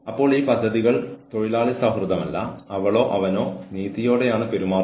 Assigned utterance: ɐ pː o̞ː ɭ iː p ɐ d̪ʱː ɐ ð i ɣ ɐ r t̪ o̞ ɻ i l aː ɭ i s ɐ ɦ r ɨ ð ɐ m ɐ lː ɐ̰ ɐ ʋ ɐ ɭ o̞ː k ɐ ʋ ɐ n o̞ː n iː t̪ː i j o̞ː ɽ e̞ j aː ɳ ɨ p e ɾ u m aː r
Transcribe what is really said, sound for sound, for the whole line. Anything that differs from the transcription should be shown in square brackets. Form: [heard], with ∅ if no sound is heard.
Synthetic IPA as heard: ɐ pː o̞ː ɭ iː p ɐ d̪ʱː ɐ ð i ɣ ɐ [ɭ] t̪ o̞ ɻ i l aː ɭ i s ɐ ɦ r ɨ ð ɐ m ɐ lː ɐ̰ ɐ ʋ ɐ ɭ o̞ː [ʔ] ɐ ʋ ɐ n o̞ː n iː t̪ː i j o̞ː ɽ e̞ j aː ɳ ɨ p e ɾ u m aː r